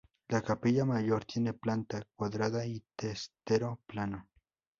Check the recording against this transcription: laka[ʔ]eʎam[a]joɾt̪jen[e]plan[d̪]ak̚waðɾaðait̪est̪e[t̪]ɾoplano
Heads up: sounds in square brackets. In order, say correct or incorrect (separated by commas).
incorrect, correct, correct, incorrect, incorrect